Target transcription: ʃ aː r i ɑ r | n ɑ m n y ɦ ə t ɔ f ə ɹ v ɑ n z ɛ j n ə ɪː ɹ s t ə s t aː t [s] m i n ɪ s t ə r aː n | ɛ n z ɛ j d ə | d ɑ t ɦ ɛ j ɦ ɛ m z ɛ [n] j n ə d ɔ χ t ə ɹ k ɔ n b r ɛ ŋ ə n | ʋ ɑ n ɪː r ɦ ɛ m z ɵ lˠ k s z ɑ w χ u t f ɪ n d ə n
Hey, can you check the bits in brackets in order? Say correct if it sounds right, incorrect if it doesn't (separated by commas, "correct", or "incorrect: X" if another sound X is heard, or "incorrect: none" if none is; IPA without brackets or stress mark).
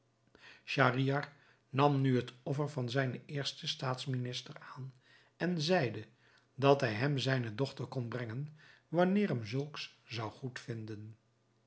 correct, incorrect: none